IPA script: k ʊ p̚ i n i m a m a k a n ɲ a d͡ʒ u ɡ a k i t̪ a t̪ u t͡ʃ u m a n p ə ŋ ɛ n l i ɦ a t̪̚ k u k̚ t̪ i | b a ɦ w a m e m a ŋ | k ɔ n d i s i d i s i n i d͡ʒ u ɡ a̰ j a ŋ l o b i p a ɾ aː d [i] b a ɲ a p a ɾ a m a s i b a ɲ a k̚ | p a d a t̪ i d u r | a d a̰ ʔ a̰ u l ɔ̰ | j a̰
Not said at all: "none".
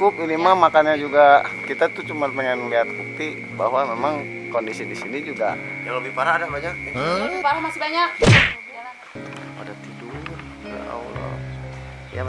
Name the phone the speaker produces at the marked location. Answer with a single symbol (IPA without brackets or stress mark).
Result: a